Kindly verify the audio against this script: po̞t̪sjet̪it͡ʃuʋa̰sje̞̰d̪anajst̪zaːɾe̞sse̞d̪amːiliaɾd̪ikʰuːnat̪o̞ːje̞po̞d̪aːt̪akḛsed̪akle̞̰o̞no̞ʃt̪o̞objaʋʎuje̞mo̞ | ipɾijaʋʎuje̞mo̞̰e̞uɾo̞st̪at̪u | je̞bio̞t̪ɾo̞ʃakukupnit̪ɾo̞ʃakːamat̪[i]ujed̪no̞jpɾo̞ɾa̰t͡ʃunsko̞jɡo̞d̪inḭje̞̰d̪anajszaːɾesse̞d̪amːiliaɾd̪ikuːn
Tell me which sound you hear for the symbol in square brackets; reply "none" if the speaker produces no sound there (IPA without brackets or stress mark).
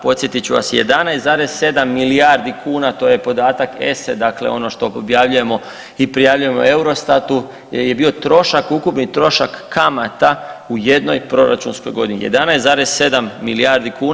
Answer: a